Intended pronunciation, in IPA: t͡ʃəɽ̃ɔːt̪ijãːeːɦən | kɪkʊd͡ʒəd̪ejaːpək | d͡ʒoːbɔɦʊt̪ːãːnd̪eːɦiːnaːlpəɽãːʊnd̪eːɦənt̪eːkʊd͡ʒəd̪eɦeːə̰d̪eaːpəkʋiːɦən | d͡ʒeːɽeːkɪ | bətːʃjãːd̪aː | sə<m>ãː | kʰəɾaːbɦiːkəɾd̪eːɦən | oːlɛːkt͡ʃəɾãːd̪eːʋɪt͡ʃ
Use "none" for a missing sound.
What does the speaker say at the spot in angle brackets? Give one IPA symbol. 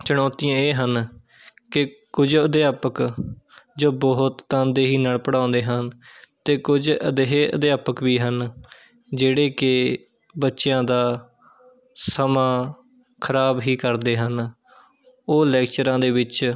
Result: m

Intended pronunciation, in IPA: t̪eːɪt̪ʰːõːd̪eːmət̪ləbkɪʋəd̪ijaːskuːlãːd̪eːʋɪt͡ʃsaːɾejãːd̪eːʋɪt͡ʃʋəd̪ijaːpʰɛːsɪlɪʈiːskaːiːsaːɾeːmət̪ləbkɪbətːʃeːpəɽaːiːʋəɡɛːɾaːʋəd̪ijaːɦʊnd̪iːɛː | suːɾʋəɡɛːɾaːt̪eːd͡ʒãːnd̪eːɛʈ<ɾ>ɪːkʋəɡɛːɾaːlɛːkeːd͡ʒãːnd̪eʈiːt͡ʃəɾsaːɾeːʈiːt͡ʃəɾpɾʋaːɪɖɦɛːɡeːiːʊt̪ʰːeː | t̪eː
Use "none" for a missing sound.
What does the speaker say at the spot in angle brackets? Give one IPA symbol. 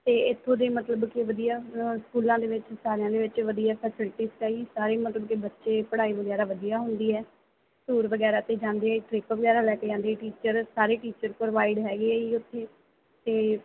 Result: ɾ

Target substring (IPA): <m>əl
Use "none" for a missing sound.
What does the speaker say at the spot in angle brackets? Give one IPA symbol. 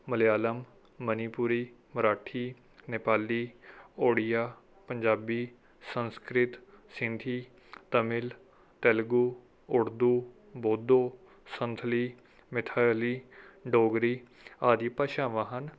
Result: m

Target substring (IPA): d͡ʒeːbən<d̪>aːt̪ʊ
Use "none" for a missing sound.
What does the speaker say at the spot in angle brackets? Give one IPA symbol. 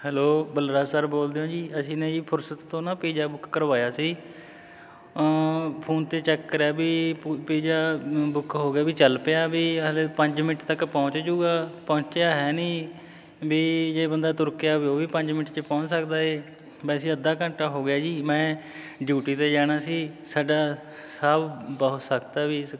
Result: d̪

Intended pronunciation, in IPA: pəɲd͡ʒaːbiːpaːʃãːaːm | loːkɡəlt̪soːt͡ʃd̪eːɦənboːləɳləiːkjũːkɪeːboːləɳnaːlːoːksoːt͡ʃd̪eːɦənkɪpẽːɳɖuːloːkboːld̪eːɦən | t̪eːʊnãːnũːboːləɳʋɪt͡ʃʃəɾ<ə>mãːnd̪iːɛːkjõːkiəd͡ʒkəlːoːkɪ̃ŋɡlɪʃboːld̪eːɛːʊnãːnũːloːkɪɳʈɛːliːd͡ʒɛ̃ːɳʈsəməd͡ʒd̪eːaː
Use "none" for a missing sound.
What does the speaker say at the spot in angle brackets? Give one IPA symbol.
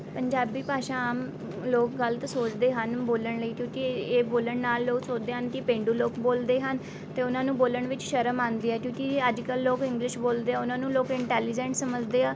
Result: ə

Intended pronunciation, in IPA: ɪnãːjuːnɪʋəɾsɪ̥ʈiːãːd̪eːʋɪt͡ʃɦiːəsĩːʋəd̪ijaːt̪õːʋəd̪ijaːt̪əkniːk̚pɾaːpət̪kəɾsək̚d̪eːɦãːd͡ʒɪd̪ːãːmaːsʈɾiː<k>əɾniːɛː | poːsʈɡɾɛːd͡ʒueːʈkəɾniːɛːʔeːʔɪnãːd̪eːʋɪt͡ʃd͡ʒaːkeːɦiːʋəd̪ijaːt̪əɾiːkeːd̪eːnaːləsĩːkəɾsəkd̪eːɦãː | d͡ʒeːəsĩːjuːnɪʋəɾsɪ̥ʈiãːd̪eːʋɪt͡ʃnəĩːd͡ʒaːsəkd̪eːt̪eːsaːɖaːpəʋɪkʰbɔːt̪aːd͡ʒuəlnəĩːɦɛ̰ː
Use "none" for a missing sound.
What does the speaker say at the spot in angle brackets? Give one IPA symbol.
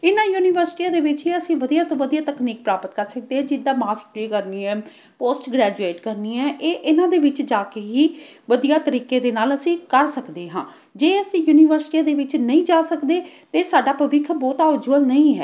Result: k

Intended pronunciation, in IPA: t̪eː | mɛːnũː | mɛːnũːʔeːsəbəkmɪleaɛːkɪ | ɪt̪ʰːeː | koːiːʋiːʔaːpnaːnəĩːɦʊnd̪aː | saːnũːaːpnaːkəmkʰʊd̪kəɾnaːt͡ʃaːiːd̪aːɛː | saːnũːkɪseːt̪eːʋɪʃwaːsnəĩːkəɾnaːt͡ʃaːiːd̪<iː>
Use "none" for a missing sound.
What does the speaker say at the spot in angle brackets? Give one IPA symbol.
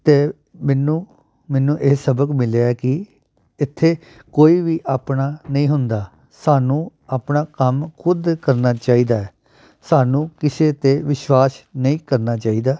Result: aː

